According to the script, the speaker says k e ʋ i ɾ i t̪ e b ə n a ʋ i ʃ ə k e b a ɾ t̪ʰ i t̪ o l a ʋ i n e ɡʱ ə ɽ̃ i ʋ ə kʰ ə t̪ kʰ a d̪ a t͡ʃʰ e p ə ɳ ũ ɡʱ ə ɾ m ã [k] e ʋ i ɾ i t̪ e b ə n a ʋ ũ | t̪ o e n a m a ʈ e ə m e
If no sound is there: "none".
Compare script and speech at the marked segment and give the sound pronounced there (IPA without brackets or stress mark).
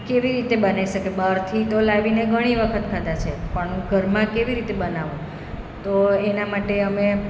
k